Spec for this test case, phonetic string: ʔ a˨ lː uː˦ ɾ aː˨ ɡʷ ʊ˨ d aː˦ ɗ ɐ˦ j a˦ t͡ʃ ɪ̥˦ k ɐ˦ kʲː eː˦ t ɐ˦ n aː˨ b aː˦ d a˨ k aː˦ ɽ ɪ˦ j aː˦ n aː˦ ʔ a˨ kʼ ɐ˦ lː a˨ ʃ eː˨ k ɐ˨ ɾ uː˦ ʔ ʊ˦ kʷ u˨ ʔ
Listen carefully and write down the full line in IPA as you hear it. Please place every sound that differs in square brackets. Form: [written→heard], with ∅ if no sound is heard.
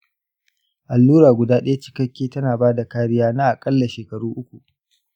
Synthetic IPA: ʔ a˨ lː uː˦ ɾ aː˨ ɡʷ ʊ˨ d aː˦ ɗ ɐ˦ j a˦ t͡ʃ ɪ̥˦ k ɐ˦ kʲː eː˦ t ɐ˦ n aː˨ b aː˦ d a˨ k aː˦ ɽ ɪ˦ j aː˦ n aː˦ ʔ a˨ kʼ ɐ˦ lː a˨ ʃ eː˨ k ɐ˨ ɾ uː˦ ʔ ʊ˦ kʷ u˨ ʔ